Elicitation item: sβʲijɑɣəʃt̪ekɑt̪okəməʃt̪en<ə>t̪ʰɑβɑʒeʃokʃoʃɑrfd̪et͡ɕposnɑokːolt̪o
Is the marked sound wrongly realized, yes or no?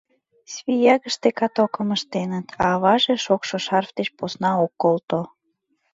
no